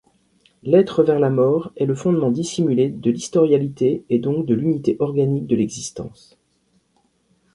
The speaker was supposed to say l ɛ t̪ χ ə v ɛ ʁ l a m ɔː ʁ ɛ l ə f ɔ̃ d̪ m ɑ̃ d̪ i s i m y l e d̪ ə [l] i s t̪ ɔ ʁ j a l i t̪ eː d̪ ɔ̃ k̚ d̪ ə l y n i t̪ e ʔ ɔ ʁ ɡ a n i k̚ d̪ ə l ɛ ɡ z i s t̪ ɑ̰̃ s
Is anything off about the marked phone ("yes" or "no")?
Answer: no